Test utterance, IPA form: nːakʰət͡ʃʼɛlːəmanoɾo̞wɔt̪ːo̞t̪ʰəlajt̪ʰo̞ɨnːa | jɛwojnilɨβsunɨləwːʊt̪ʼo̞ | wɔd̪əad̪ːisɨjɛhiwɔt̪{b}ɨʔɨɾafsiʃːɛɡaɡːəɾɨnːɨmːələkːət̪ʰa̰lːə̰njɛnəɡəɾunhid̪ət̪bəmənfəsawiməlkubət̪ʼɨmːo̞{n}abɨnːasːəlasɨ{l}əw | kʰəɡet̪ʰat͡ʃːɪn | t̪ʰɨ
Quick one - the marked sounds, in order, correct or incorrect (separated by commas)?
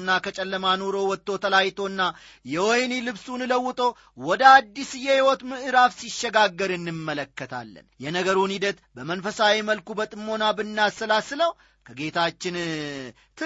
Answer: incorrect, correct, correct